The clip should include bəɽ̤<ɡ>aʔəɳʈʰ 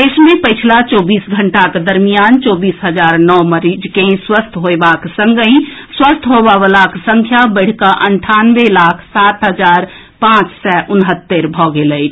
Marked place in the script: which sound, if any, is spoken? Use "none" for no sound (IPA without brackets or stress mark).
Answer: k